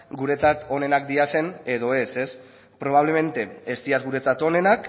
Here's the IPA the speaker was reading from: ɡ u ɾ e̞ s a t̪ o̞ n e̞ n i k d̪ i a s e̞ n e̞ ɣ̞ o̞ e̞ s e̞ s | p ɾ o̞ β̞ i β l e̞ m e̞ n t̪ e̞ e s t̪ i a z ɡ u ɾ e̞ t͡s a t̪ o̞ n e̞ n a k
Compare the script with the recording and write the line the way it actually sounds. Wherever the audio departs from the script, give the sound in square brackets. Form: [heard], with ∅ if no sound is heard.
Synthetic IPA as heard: ɡ u ɾ e̞ [t͡s] a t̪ o̞ n e̞ n [a] k d̪ i a s e̞ n e̞ [ð̞] o̞ e̞ s e̞ s | p ɾ o̞ β̞ [a] β l e̞ m e̞ n t̪ e̞ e s t̪ i a z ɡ u ɾ e̞ t͡s a t̪ o̞ n e̞ n a k